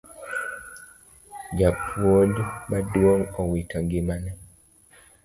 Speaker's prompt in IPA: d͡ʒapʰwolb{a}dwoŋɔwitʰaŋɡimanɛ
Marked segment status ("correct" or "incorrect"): correct